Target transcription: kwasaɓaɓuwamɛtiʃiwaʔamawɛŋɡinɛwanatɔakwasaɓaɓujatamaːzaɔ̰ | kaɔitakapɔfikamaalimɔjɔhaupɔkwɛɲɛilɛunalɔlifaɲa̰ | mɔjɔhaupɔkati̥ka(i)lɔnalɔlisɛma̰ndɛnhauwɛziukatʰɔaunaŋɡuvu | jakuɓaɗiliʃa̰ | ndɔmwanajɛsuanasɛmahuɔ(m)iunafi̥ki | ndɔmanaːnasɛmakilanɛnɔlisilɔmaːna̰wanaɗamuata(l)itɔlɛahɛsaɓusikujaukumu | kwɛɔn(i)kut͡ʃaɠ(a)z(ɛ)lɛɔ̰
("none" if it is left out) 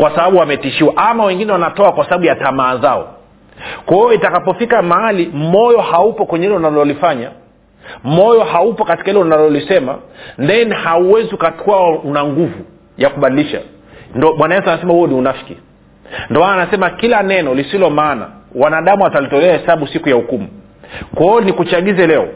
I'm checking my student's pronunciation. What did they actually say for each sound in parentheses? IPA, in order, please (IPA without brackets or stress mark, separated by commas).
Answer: i, n, l, i, i, ɛ